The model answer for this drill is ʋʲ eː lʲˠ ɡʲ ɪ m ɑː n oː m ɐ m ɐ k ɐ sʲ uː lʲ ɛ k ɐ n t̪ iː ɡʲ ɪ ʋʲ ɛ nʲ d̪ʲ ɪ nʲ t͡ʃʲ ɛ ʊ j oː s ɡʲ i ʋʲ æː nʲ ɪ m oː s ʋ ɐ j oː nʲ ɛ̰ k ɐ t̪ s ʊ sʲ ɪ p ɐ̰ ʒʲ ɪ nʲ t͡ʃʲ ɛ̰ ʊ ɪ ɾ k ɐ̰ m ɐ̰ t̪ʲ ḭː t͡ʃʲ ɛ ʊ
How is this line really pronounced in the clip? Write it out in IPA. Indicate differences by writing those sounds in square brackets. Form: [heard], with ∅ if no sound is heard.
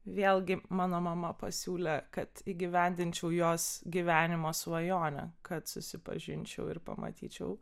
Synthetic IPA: ʋʲ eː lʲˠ ɡʲ ɪ m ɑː n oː m ɐ m ɐ [p] ɐ sʲ uː lʲ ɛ k ɐ [∅] t̪ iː ɡʲ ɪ ʋʲ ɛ nʲ d̪ʲ ɪ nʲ t͡ʃʲ ɛ ʊ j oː s ɡʲ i ʋʲ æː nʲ ɪ m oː s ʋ ɐ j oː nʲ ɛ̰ k ɐ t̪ s ʊ sʲ ɪ p ɐ̰ ʒʲ ɪ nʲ t͡ʃʲ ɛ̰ ʊ ɪ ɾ [p] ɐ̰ m ɐ̰ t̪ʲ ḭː t͡ʃʲ ɛ ʊ